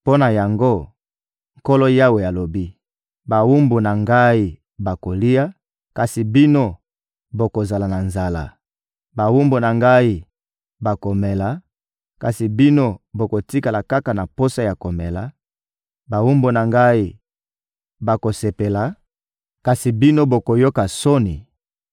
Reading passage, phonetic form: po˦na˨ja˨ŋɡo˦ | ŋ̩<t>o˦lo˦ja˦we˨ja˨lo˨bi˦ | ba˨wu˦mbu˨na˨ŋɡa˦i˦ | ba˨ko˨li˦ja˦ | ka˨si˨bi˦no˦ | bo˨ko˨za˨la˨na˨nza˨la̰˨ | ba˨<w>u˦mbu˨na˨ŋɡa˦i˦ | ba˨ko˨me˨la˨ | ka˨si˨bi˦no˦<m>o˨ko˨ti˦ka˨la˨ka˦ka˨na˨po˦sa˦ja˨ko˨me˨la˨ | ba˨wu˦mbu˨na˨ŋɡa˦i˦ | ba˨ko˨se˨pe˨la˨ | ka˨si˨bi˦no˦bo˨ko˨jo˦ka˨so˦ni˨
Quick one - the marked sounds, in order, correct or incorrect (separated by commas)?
incorrect, correct, incorrect